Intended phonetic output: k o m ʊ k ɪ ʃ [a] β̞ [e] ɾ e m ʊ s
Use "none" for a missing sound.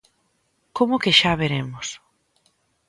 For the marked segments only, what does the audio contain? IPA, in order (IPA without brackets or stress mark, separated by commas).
a, e